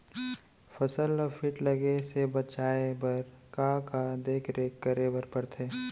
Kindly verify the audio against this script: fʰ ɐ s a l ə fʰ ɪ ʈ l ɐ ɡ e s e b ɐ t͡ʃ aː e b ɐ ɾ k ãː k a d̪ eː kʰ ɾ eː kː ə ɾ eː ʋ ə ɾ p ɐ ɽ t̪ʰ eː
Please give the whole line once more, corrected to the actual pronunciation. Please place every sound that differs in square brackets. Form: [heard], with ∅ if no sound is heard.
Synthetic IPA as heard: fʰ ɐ s [ə] l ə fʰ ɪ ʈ l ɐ ɡ e s e b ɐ t͡ʃ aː e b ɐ ɾ k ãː k a d̪ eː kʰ ɾ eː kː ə ɾ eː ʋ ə ɾ p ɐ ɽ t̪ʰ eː